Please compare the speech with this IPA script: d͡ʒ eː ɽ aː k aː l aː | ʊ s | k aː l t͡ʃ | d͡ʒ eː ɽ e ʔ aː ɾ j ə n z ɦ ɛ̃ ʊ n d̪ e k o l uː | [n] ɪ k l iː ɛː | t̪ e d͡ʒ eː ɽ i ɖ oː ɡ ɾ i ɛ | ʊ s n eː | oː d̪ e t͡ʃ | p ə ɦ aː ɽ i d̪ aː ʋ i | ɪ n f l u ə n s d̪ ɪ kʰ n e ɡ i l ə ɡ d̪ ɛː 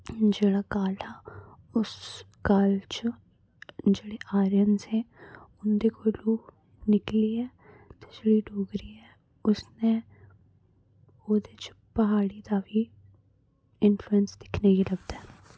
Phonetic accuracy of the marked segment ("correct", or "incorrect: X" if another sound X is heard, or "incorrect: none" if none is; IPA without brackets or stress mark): correct